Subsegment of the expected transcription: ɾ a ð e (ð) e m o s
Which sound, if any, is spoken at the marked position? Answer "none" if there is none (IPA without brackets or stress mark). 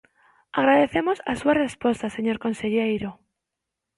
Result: θ